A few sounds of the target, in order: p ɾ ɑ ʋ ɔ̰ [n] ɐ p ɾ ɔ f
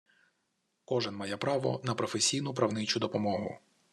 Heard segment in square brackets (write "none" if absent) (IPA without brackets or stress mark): n